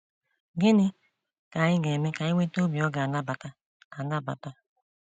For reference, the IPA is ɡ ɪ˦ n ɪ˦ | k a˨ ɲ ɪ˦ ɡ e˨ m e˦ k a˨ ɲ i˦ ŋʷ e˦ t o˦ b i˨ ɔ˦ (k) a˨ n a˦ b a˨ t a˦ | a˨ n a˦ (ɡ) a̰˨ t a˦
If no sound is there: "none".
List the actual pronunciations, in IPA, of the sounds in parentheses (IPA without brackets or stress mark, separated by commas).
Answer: ɡ, b